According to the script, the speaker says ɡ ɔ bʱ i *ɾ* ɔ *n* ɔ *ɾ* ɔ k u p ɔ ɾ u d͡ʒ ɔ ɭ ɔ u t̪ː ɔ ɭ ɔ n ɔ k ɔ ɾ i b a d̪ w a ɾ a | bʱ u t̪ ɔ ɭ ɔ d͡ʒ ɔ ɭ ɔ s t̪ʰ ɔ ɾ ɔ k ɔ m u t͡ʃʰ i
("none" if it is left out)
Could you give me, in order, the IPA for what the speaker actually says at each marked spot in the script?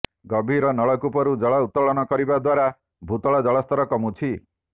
ɾ, n, ɭ

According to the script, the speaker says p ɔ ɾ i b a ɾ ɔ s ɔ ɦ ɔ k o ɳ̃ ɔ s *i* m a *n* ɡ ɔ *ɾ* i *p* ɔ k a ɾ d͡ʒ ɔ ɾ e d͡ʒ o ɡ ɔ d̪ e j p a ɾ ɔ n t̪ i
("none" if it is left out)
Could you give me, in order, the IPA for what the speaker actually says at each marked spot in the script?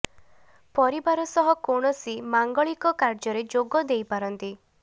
i, ŋ, ɭ, k

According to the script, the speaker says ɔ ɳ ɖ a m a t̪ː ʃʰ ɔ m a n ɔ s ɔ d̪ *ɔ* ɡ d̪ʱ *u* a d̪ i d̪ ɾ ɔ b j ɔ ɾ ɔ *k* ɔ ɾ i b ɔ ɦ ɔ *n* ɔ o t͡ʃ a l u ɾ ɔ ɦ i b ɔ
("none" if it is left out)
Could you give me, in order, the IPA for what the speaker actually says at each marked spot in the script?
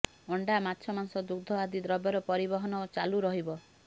u, ɔ, p, n

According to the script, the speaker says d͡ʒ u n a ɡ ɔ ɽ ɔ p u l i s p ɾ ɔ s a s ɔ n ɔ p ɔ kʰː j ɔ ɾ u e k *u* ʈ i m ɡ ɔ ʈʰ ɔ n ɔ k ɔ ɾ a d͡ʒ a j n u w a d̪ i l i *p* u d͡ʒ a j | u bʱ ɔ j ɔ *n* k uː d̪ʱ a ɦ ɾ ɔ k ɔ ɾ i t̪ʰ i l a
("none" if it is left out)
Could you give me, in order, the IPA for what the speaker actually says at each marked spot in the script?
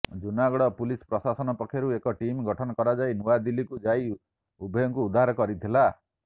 ɔ, k, ŋ

